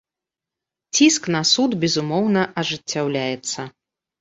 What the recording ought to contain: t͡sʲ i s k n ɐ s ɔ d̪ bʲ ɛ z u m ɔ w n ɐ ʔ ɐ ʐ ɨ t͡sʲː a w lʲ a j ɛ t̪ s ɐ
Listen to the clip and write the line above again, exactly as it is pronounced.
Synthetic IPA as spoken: t͡sʲ i s k n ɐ s u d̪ bʲ ɛ z u m ɔ w n ɐ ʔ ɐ ʐ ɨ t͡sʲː a w lʲ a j ɛ t̪ s ɐ